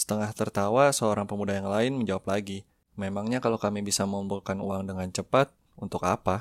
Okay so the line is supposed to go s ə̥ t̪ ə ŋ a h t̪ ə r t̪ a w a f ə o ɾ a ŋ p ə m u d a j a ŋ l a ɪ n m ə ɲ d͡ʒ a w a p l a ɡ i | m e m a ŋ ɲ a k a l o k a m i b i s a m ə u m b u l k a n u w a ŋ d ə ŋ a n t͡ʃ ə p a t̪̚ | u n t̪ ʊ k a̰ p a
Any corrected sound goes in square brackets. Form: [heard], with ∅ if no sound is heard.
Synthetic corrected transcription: s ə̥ t̪ ə ŋ a h t̪ ə r t̪ a w a [s] ə o ɾ a ŋ p ə m u d a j a ŋ l a ɪ n m ə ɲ d͡ʒ a w a p l a ɡ i | m e m a ŋ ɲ a k a l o k a m i b i s a m ə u m b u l k a n u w a ŋ d ə ŋ a n t͡ʃ ə p a t̪̚ | u n t̪ ʊ k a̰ p a